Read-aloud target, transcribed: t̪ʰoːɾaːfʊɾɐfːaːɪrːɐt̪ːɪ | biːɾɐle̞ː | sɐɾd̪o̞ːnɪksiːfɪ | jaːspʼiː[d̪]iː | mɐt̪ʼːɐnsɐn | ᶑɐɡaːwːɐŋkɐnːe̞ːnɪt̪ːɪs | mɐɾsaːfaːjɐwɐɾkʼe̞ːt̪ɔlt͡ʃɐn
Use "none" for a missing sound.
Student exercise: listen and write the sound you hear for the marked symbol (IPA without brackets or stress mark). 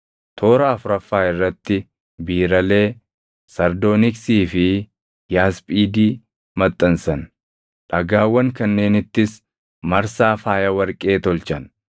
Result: d̪